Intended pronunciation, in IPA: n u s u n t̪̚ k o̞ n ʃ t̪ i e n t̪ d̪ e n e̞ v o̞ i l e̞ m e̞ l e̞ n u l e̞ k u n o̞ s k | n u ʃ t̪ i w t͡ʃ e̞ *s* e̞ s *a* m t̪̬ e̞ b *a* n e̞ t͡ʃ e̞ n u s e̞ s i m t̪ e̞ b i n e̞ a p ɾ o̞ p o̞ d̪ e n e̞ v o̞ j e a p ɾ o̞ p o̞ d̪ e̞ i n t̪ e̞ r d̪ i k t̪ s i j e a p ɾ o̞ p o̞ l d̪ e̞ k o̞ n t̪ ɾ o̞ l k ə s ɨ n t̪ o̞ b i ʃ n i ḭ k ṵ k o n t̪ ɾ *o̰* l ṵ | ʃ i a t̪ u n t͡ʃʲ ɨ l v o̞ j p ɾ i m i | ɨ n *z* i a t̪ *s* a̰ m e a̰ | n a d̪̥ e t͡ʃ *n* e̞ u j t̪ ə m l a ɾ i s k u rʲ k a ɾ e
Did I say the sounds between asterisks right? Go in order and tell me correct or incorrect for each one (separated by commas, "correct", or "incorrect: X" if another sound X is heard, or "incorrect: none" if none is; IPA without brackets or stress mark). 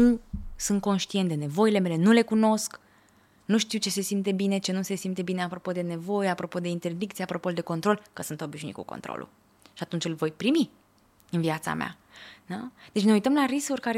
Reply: correct, incorrect: i, incorrect: i, correct, incorrect: v, correct, correct